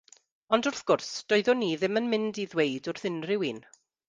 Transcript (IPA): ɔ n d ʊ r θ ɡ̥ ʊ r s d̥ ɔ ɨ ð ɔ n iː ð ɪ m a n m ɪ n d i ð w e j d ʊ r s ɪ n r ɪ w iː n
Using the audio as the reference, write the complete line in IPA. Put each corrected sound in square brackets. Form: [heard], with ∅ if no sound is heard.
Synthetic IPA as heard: ɔ n d ʊ r θ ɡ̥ ʊ r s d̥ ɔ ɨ ð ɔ n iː ð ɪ m [ə] n m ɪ n d i ð w e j d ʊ r [θ] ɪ n r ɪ w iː n